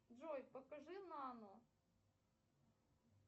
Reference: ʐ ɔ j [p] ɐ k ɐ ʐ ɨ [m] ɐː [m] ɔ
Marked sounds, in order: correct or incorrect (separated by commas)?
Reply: correct, incorrect, incorrect